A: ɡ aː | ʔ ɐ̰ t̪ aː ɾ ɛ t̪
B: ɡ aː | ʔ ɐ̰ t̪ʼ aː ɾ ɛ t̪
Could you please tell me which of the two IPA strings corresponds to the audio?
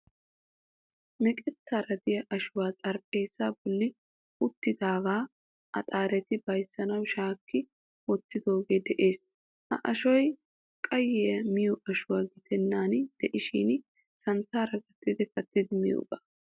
B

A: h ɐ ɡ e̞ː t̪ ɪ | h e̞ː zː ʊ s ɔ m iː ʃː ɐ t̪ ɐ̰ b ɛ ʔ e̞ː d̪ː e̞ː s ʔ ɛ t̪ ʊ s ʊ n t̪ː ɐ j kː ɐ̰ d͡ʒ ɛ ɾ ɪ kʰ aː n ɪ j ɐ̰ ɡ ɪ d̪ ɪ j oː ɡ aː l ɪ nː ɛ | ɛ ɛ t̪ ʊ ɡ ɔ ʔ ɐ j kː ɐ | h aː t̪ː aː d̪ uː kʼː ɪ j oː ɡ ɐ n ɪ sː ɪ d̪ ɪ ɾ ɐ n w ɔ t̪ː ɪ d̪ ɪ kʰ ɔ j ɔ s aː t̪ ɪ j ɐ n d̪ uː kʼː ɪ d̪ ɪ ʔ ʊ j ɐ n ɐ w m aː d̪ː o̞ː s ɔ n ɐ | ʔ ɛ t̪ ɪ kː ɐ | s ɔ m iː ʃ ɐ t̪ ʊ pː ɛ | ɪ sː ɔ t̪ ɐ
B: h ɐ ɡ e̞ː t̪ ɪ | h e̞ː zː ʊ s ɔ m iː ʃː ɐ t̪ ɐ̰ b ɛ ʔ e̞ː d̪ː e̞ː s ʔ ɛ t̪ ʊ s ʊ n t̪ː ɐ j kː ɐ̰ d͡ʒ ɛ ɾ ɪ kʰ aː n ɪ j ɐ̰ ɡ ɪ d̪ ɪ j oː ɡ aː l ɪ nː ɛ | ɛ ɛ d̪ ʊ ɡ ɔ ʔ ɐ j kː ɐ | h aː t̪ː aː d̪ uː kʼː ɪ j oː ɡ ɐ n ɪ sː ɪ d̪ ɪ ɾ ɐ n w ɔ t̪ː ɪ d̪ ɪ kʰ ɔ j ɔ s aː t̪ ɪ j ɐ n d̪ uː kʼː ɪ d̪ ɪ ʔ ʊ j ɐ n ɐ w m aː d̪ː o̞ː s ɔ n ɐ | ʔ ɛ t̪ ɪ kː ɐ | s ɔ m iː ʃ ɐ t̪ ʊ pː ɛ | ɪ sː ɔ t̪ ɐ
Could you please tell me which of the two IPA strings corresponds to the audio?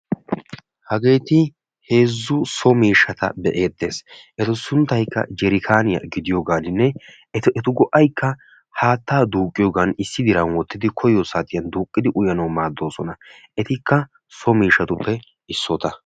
A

